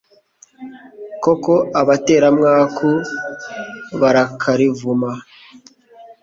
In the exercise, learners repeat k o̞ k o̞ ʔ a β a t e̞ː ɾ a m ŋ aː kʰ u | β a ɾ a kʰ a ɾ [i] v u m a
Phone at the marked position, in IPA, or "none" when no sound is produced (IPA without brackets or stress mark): i